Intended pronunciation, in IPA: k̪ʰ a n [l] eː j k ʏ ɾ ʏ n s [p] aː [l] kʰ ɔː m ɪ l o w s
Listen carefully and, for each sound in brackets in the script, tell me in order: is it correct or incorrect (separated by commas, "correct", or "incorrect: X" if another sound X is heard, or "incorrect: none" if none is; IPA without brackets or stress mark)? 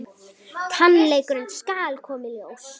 correct, incorrect: k, correct